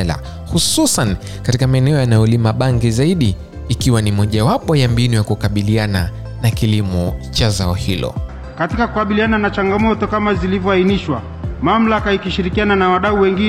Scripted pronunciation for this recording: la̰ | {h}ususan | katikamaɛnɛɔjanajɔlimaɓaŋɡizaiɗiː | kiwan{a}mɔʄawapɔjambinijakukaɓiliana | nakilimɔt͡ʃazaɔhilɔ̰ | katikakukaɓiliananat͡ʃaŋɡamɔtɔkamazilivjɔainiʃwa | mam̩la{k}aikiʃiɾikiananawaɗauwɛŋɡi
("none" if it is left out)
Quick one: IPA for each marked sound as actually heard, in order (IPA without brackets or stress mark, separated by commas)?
h, i, k